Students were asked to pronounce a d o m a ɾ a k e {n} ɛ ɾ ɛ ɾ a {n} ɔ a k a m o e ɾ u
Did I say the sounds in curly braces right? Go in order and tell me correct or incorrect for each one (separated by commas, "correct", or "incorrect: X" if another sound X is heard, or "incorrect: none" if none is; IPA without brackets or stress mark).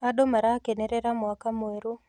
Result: correct, incorrect: m